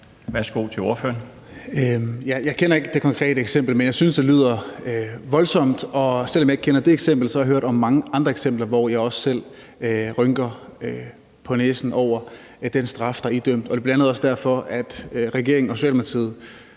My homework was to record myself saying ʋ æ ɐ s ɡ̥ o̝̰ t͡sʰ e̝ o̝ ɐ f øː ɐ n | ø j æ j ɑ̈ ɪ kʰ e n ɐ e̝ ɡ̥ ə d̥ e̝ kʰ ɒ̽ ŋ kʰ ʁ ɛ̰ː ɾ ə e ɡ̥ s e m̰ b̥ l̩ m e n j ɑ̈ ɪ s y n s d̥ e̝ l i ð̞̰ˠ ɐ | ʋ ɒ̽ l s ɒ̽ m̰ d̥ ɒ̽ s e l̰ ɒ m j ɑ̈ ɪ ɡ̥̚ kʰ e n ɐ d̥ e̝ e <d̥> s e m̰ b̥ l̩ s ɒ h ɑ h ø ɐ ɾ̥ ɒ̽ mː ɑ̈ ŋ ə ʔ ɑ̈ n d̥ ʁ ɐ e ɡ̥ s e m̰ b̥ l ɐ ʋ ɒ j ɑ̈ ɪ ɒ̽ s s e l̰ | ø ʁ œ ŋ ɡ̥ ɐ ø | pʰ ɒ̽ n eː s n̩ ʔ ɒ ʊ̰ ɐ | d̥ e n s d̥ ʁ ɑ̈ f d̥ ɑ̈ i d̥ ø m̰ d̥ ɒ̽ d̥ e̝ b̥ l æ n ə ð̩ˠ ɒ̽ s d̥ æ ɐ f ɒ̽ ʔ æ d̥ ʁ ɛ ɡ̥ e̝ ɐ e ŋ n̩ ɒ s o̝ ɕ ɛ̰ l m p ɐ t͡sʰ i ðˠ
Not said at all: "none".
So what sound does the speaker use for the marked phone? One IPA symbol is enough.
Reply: ɡ̥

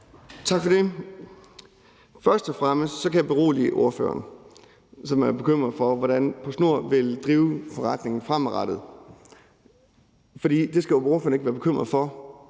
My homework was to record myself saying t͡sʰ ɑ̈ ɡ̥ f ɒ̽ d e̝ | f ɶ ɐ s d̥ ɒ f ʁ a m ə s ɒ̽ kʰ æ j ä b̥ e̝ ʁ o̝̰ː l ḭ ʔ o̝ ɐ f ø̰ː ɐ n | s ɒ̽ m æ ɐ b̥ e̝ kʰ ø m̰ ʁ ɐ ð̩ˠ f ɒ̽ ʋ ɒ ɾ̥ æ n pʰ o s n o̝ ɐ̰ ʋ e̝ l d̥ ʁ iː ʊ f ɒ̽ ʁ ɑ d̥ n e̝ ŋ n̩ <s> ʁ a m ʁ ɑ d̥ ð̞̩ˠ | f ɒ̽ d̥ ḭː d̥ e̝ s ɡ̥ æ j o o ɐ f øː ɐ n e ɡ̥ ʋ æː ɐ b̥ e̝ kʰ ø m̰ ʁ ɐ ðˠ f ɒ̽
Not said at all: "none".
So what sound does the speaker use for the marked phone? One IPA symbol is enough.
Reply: f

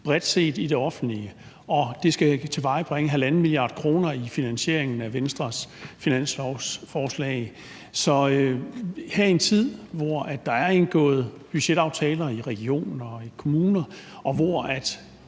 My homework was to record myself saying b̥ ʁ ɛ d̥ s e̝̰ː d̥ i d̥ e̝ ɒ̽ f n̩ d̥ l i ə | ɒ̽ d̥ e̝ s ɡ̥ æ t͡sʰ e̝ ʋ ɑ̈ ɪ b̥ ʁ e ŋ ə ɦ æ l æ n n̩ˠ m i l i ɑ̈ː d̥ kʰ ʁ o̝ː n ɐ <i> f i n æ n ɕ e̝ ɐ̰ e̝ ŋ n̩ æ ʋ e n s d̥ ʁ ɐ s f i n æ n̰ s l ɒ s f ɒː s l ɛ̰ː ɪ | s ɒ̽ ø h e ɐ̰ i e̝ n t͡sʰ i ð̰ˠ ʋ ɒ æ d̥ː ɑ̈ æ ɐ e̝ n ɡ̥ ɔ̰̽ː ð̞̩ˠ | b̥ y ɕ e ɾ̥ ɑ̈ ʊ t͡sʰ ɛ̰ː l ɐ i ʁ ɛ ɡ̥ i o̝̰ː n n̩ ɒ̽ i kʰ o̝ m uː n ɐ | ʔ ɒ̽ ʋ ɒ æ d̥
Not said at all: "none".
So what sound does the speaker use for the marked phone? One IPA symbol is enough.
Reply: i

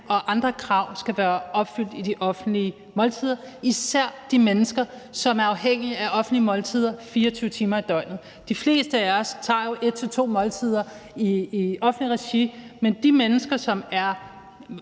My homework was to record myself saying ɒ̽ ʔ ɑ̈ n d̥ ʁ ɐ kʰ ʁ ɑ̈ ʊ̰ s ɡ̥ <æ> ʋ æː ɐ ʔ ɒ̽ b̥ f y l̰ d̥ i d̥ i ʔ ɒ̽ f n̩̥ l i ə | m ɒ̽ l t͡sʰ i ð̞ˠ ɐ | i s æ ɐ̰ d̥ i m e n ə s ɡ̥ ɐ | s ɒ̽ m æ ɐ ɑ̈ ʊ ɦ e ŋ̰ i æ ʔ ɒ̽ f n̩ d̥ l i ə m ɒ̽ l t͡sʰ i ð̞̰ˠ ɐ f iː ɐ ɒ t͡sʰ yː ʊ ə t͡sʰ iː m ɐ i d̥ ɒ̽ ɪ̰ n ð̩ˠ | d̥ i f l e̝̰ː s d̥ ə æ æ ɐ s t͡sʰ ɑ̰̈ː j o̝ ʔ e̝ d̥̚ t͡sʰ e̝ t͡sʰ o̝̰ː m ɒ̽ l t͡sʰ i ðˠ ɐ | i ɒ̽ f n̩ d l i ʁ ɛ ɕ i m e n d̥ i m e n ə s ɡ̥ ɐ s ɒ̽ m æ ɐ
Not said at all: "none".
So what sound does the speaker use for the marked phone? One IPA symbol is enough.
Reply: æ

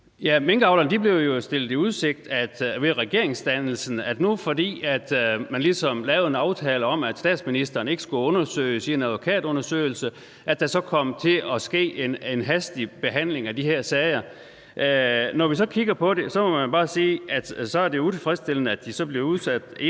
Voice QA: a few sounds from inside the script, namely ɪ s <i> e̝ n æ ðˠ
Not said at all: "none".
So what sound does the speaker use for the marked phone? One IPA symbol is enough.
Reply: i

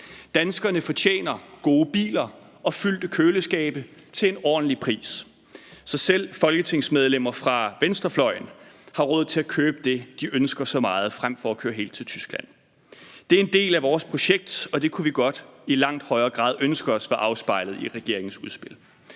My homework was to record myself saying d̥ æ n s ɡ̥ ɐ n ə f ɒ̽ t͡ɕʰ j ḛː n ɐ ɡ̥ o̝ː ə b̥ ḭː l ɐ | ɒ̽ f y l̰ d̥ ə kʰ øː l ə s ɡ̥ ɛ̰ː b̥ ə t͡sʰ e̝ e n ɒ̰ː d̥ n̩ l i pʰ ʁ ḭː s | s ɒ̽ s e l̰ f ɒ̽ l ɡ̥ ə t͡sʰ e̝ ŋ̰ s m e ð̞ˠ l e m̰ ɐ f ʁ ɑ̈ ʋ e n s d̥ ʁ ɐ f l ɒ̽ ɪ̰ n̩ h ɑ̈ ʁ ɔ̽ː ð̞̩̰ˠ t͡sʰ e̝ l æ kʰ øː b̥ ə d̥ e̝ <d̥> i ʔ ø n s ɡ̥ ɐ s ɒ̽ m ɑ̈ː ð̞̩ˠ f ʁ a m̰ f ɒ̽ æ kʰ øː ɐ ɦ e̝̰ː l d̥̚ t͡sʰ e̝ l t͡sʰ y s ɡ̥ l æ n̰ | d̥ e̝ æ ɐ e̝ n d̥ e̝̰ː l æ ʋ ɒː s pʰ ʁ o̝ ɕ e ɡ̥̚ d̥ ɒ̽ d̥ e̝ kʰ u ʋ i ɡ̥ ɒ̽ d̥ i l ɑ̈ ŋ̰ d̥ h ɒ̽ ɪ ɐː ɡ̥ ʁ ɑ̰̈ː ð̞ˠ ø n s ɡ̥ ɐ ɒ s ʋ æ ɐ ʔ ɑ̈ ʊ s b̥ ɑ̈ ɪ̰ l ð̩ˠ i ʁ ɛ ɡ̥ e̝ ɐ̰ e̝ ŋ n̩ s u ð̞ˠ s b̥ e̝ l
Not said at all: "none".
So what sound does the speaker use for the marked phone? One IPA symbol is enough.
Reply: d̥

